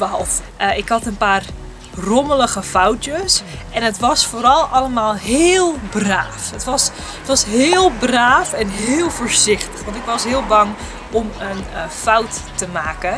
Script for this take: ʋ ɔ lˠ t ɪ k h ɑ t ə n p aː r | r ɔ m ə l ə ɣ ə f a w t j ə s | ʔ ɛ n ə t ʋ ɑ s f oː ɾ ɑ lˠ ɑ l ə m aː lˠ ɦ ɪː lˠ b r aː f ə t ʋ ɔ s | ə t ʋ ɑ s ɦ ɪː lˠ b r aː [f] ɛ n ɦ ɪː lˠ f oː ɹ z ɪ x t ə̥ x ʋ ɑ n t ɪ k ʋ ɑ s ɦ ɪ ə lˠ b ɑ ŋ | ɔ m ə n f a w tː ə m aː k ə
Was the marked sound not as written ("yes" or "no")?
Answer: no